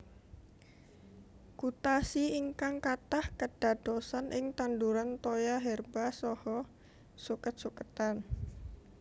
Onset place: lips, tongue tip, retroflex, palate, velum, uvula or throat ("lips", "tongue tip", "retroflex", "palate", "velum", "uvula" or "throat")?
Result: velum